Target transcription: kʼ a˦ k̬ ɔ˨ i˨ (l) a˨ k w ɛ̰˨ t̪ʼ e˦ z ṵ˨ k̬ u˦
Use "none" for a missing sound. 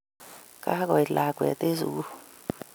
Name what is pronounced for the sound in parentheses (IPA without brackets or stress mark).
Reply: l